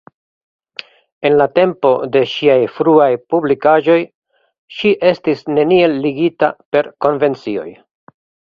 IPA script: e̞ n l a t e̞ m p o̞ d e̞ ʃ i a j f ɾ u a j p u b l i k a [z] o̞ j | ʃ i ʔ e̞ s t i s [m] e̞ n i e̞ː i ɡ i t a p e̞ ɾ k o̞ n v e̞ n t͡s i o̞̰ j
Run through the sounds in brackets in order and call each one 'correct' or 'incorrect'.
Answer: incorrect: ʒ, incorrect: n

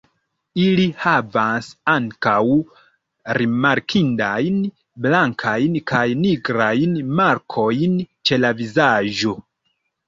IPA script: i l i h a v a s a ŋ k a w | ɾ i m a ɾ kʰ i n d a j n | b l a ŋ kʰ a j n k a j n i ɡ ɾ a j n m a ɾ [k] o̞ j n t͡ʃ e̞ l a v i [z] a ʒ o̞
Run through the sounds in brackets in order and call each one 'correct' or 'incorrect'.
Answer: incorrect: kʰ, correct

